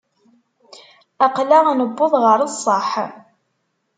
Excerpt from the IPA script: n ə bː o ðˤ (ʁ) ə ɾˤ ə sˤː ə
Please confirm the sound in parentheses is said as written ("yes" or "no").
yes